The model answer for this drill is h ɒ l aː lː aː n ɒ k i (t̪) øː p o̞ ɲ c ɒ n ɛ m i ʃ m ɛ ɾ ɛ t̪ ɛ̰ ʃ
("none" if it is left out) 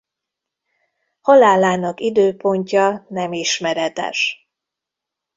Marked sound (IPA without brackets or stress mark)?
d̪